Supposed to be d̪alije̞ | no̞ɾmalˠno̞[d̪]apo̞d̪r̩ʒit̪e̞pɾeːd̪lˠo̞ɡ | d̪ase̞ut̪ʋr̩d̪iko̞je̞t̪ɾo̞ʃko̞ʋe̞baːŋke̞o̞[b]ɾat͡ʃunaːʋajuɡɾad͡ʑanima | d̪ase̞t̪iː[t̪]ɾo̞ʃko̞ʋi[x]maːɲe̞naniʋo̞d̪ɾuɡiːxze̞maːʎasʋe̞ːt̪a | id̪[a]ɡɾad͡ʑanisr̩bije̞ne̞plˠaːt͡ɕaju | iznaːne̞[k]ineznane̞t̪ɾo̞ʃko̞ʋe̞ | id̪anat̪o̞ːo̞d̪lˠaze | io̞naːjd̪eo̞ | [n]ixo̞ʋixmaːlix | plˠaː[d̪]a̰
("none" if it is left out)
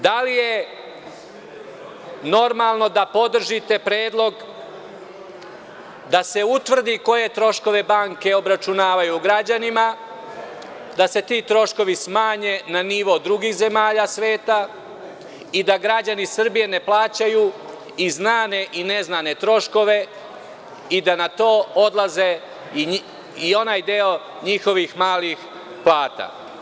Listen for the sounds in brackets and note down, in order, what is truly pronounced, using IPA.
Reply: d̪, b, t̪, s, a, ʔ, ɲ, t̪

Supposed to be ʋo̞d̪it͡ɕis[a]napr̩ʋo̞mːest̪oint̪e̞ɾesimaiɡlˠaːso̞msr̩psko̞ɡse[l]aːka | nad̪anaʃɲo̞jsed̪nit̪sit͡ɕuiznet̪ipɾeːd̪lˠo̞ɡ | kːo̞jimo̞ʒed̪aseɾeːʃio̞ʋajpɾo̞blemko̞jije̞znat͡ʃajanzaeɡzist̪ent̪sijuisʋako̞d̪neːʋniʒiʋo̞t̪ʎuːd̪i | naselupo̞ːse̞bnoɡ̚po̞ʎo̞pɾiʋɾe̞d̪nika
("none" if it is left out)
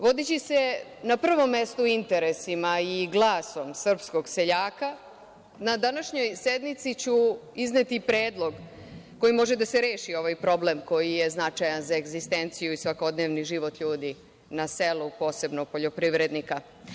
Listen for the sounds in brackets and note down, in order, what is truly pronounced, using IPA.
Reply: e, ʎ

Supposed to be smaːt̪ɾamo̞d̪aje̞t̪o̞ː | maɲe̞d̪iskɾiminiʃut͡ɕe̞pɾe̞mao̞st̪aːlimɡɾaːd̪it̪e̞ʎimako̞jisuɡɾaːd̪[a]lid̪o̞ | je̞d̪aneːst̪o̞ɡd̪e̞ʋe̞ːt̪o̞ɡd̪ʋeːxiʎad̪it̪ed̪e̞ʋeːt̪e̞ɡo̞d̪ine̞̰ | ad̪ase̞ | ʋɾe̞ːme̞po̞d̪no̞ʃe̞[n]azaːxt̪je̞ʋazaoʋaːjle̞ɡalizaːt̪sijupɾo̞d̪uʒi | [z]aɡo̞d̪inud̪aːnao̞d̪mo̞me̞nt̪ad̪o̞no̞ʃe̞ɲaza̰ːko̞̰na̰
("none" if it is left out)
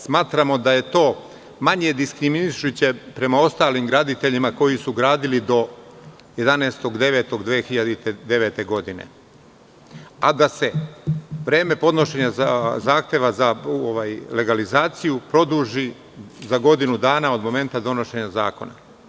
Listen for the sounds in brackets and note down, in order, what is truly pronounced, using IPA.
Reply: i, ɲ, z

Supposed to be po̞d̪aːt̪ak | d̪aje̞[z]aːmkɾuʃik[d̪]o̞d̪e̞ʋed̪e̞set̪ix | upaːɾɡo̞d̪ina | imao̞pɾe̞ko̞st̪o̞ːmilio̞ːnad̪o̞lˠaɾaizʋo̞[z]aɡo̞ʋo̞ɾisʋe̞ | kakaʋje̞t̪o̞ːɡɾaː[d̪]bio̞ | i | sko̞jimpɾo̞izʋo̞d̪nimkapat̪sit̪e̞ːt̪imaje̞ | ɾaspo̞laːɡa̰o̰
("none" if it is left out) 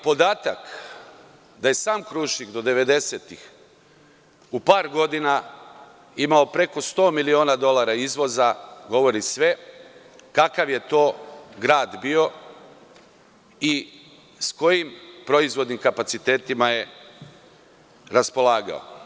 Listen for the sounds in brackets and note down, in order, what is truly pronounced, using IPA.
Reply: s, d̪, z, d̪

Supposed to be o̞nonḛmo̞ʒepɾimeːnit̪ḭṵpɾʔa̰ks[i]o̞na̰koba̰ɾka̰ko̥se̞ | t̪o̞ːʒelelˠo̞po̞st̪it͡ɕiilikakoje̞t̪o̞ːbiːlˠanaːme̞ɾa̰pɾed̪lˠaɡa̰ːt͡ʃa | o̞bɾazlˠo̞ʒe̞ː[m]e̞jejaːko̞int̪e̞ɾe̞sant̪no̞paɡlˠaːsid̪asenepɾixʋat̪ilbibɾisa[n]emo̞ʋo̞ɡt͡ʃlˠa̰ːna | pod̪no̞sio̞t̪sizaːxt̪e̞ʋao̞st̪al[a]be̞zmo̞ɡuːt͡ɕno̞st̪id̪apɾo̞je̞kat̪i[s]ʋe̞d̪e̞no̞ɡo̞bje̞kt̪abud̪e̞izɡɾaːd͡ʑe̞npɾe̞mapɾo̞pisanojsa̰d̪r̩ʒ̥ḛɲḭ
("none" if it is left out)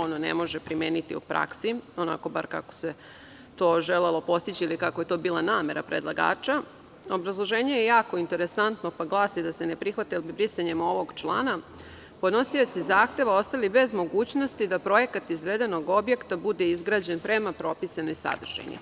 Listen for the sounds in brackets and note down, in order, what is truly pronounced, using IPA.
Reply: i, ɲ, ɲ, i, z

